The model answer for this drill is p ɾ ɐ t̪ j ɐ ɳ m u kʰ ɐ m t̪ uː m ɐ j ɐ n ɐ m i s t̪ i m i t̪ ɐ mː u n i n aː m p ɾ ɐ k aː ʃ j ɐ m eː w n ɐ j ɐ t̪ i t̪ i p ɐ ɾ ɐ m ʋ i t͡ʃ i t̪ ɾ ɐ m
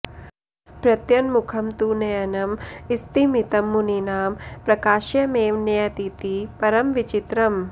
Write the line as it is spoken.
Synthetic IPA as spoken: p ɾ ɐ t̪ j ɐ n m u kʰ ɐ m t̪ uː n ɐ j ɐ n ɐ m i s t̪ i m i t̪ ɐ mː u n i n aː m p ɾ ɐ k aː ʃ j ɐ m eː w n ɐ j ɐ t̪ i t̪ i p ɐ ɾ ɐ m ʋ i t͡ʃ i t̪ ɾ ɐ m